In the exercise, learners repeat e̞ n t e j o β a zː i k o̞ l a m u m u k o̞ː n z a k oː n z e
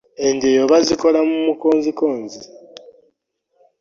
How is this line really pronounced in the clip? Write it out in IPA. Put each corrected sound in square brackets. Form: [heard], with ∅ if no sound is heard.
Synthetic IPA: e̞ n [d] e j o β a [z] i k o̞ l a m u m u k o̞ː n z [i] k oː n z [i]